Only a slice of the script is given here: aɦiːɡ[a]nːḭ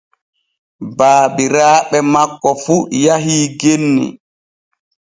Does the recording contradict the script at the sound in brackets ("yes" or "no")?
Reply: yes